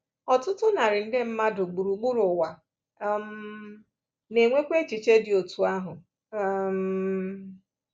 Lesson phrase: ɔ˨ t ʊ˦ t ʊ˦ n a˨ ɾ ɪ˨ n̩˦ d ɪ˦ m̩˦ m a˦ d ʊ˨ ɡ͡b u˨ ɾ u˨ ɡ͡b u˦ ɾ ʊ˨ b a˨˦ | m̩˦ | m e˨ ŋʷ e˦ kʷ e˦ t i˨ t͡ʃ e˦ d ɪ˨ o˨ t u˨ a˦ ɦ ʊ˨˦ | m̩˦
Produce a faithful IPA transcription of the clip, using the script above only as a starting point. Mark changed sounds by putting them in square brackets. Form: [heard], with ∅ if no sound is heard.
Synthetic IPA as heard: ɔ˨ t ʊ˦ t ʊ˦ n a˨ ɾ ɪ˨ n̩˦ d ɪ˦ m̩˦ m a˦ d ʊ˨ ɡ͡b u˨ ɾ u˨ ɡ͡b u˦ ɾ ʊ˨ [w] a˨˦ | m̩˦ | [n] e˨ ŋʷ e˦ kʷ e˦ [t͡ʃ] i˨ t͡ʃ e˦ d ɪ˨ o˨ t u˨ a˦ ɦ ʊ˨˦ | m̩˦